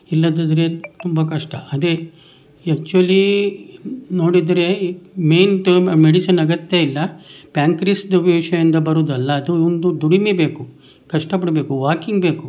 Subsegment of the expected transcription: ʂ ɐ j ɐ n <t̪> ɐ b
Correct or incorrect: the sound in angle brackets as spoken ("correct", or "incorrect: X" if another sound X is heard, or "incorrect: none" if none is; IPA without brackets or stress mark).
incorrect: d̪